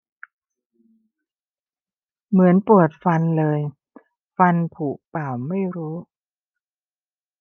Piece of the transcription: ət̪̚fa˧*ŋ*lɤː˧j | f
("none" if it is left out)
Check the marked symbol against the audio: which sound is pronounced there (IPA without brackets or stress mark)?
n